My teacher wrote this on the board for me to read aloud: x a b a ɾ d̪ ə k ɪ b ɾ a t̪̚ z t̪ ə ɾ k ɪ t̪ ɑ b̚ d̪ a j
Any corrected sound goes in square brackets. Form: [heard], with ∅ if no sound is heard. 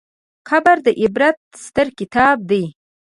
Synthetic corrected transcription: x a b a ɾ d̪ ə [ʔ] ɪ b ɾ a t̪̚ [s] t̪ ə ɾ k ɪ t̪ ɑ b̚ d̪ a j